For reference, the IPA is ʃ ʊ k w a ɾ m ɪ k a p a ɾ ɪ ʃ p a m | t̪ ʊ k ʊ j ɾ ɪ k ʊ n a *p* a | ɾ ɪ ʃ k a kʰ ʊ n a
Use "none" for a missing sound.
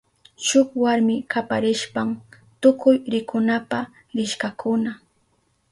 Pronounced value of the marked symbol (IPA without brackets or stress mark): p